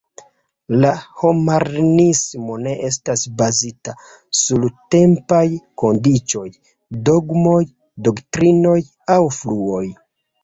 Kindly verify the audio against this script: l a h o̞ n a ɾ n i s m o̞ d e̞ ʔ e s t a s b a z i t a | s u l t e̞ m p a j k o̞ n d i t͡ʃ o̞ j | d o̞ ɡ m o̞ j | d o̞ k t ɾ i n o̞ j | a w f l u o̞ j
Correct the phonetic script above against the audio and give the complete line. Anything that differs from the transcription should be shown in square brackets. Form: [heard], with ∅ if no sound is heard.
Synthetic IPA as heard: l a h o̞ [m] a ɾ n i s m o̞ [n] e̞ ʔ e s t a s b a z i t a | s u l t e̞ m p a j k o̞ n d i t͡ʃ o̞ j | d o̞ ɡ m o̞ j | d o̞ k t ɾ i n o̞ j | a w f l u o̞ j